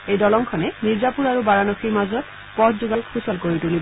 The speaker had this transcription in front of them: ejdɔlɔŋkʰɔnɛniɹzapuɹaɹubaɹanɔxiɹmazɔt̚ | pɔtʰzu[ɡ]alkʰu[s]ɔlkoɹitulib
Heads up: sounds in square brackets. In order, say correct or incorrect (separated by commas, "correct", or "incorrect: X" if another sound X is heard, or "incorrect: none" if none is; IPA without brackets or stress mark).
correct, correct